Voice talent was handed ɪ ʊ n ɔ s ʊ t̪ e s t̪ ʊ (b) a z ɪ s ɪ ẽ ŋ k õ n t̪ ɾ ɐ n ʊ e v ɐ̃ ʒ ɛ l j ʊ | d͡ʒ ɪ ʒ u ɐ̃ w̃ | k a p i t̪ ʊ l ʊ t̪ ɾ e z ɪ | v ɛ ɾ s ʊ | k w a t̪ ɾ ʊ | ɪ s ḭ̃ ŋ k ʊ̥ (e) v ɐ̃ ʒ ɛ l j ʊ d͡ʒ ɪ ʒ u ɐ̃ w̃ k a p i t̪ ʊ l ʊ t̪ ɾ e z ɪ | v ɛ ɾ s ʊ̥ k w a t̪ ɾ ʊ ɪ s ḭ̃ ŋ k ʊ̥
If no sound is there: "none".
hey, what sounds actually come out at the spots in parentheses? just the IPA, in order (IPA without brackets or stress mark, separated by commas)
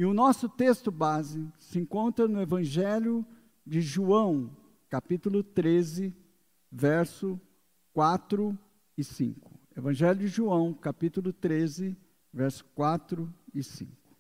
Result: b, e